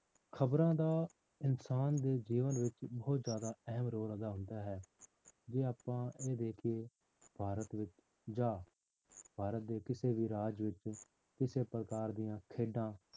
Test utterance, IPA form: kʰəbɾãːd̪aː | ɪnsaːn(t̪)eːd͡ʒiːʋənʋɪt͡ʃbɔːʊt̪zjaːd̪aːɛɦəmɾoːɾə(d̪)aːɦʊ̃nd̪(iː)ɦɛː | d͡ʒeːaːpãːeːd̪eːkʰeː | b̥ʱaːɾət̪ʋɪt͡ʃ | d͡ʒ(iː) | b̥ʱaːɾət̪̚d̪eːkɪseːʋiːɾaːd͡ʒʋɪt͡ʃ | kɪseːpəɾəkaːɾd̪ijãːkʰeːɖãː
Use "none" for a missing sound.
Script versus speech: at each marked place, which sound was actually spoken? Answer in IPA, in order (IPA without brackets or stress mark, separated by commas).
d̪, d̪, aː, aː